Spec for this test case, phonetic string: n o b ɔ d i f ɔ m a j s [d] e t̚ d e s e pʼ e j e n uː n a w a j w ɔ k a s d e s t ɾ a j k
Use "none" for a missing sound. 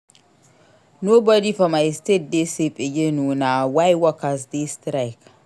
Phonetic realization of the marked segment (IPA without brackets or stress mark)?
t